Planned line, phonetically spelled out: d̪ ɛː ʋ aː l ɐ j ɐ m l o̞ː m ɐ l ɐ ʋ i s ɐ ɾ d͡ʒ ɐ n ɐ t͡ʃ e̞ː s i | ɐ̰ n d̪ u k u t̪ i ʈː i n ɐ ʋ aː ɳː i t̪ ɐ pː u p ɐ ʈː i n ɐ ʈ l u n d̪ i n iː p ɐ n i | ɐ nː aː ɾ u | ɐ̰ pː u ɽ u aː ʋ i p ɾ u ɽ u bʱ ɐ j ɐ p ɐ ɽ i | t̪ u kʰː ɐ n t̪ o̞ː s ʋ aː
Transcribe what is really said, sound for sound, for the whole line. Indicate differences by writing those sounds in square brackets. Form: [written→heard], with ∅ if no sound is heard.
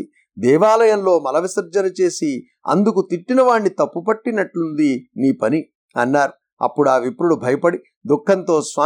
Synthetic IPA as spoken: d̪ ɛː ʋ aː l ɐ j ɐ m l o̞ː m ɐ l ɐ ʋ i s ɐ ɾ d͡ʒ ɐ n ɐ t͡ʃ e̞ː s i | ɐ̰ n d̪ u k u t̪ i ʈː i n ɐ ʋ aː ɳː i t̪ ɐ pː u p ɐ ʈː i n ɐ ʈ l u n d̪ i n iː p ɐ n i | ɐ nː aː ɾ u | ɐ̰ pː u ɽ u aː ʋ i p ɾ u ɽ u bʱ ɐ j ɐ p ɐ ɽ i | [t̪→d̪] u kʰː ɐ n t̪ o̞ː s ʋ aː